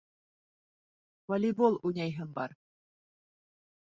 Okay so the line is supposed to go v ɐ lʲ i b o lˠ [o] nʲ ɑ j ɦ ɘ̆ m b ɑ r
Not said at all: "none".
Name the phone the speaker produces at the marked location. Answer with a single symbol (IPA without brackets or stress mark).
u